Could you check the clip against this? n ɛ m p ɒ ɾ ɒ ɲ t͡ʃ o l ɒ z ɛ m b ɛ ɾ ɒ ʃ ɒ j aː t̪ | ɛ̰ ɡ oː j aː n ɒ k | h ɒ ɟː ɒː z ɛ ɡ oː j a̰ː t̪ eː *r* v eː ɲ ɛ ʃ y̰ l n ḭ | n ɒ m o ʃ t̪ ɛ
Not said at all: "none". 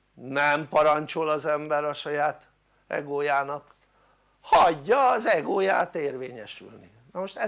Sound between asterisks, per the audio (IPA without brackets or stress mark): r